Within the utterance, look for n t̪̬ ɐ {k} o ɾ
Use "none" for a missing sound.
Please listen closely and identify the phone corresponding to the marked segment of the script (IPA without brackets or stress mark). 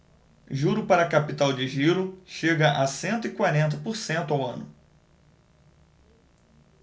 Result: p